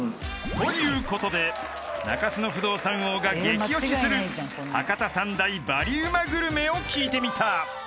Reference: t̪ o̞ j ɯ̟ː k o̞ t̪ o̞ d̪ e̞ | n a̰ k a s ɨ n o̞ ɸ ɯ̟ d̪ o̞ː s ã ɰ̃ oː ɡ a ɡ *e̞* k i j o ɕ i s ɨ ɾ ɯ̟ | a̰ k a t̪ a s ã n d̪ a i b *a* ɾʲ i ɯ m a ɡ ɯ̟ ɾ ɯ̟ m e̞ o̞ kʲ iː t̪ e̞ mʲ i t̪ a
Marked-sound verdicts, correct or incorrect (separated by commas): correct, correct